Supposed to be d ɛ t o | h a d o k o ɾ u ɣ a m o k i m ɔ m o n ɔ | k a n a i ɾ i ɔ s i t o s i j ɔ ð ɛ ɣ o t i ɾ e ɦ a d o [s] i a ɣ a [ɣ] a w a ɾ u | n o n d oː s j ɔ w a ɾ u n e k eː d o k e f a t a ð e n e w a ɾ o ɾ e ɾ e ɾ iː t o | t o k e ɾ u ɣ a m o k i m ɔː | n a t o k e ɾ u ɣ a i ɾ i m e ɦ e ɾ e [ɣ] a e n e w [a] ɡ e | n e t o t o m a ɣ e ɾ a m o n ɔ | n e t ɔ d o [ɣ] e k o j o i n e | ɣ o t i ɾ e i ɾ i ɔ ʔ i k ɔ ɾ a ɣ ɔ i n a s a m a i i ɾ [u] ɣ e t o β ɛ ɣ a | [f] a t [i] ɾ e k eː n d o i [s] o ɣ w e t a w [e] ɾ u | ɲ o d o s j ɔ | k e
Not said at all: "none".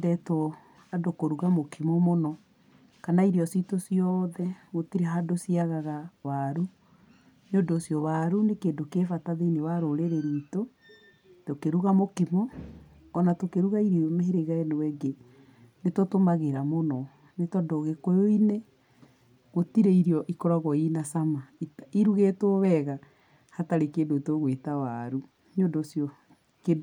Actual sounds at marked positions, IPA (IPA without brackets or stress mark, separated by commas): s, ɣ, ɣ, ɛ, ɣ, u, h, a, t, a